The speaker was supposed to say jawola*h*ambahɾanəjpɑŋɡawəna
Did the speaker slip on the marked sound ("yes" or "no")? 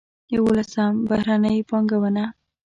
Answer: yes